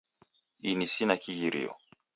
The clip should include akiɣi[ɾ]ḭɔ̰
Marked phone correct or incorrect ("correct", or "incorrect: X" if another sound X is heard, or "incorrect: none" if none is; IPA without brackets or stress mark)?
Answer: correct